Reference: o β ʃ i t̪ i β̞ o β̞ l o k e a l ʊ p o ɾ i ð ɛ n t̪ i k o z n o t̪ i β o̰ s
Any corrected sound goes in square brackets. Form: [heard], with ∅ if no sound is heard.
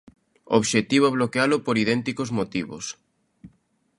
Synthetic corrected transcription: o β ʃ [e] t̪ i β̞ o β̞ l o k e a l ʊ p o ɾ i ð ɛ n t̪ i k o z [m] o t̪ i β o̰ s